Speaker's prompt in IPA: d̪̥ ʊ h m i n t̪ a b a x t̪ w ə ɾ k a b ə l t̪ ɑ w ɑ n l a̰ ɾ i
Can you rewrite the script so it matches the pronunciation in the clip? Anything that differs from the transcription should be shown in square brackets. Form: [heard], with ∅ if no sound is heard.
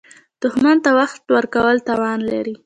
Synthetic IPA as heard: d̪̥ ʊ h m [a] n t̪ a [w] a x t̪ w ə ɾ k a [w] ə l t̪ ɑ w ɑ n l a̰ ɾ i